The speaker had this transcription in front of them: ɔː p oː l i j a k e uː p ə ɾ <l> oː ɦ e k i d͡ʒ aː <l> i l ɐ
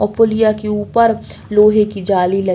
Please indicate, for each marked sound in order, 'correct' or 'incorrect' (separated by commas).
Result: correct, correct